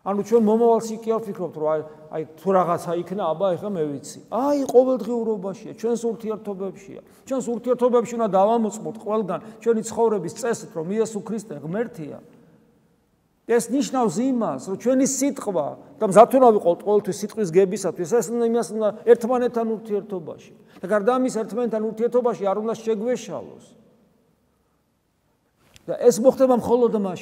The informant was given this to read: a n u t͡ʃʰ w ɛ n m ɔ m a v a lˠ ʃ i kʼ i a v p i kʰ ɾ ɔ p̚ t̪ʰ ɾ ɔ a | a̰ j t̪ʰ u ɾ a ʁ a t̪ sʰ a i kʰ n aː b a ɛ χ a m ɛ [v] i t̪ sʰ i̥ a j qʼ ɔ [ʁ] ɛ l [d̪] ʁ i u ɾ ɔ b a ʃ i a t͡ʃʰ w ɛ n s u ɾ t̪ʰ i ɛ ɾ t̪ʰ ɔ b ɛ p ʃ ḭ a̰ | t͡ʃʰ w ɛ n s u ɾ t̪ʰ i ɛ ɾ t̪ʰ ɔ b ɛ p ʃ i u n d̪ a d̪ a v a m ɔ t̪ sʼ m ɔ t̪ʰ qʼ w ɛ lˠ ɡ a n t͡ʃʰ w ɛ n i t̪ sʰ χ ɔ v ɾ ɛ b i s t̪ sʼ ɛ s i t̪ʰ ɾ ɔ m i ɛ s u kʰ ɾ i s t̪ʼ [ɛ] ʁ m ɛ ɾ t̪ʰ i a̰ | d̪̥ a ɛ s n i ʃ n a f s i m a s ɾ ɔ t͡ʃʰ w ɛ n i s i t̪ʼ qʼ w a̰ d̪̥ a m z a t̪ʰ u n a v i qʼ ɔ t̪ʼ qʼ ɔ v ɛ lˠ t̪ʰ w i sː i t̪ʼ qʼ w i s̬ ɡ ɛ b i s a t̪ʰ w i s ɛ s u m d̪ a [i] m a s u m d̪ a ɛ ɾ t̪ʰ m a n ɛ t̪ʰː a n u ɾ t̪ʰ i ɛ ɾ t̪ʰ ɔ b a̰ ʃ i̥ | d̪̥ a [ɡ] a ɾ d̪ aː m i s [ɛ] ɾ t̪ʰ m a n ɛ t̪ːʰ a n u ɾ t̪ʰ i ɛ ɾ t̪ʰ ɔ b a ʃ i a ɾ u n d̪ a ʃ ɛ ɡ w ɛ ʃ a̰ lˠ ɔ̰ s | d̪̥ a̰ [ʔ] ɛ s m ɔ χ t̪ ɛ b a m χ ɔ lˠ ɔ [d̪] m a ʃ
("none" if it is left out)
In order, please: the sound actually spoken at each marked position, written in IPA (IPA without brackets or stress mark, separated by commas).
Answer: v, v, d̪, ɛ, i, ɡ, ɛ, ʔ, d̪